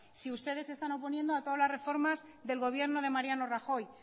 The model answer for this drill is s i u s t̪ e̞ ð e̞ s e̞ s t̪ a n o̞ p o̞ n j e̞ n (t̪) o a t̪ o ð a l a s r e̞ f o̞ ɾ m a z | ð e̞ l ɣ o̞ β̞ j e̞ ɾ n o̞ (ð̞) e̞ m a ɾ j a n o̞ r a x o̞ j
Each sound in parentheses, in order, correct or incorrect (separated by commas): incorrect, correct